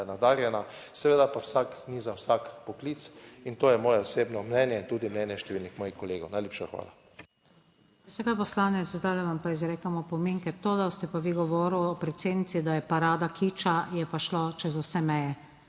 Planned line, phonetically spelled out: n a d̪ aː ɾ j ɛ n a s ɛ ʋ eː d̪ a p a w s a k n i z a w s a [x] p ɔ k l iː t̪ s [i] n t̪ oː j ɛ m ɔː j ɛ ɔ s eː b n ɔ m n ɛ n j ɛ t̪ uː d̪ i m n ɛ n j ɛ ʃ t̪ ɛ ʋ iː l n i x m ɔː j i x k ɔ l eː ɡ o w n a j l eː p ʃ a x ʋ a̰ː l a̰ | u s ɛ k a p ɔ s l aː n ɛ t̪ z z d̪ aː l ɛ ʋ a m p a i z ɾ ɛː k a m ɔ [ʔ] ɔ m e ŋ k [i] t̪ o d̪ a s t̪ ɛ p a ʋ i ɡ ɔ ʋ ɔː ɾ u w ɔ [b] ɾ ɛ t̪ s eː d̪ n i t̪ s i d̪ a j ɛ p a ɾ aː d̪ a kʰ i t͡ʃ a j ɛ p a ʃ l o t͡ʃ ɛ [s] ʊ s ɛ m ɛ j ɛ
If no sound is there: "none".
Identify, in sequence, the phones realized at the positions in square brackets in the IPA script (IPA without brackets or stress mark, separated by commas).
k, i, p, ɛ, p, z